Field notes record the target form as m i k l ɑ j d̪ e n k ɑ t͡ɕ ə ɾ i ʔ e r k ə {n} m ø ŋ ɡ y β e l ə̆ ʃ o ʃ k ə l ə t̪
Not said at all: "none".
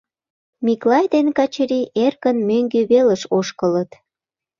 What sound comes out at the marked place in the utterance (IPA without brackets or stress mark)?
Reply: n